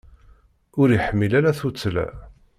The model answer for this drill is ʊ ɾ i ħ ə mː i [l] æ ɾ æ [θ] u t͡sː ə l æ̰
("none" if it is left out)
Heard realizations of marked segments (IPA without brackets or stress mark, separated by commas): l, θ